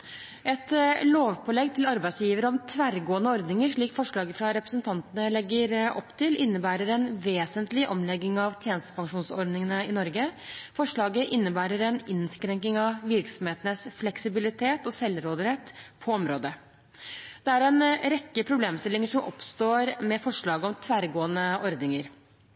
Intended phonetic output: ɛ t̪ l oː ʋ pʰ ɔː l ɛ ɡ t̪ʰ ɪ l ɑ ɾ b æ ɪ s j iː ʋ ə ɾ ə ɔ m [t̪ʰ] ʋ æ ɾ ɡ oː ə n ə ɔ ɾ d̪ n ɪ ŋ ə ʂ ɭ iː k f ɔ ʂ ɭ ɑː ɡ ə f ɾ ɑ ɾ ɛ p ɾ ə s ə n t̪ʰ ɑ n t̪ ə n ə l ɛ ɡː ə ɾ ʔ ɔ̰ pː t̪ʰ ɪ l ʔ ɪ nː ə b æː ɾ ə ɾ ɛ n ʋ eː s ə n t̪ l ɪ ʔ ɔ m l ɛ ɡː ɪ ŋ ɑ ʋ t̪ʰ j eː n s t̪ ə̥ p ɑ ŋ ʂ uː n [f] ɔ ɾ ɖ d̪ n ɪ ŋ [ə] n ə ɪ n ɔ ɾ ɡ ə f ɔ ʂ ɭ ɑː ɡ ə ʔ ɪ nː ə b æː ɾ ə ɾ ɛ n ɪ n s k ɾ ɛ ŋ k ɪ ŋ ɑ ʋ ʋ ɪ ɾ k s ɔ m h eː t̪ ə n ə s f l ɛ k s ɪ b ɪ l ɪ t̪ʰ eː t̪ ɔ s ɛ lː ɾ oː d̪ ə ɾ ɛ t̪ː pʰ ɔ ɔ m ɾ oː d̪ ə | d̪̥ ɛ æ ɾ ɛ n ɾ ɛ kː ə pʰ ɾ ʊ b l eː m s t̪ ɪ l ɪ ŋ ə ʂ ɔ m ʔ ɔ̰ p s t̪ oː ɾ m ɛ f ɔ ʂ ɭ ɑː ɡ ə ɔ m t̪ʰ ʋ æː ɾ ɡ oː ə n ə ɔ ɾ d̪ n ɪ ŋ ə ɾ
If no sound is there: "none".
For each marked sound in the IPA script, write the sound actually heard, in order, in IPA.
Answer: t̪ʰ, s, ə

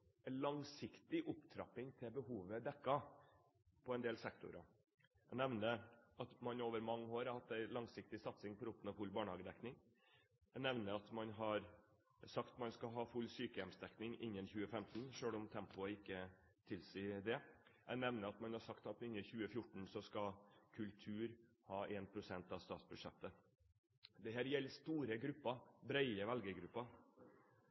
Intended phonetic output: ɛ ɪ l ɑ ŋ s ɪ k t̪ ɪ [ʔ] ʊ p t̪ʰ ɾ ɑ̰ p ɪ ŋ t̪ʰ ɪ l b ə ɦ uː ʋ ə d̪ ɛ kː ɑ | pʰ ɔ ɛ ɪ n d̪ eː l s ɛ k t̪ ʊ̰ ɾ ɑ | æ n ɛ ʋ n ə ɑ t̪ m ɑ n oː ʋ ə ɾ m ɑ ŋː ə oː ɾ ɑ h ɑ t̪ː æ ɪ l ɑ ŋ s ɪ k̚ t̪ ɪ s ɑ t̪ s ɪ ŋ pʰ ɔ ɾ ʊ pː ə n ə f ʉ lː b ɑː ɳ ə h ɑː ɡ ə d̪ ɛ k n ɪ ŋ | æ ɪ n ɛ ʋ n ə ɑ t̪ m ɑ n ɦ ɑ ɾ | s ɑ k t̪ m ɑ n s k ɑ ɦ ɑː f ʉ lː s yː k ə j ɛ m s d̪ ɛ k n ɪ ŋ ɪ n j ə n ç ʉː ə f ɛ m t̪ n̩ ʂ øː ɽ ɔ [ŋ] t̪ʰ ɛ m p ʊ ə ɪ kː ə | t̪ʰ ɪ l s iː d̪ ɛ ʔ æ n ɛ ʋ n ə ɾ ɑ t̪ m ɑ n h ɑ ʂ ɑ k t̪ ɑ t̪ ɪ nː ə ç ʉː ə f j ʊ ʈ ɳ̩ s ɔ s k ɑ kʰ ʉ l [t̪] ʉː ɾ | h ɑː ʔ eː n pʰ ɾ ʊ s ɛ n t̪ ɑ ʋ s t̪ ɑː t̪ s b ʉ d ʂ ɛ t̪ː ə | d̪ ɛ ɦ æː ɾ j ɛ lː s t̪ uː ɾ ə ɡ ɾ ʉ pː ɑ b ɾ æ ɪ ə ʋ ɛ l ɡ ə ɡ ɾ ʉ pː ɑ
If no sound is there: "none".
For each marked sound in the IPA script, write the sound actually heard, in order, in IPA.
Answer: ʔ, m, t̪ʰ

